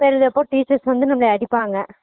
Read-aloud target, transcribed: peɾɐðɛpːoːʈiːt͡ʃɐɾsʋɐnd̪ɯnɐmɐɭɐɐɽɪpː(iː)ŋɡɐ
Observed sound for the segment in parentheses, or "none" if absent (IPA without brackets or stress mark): aː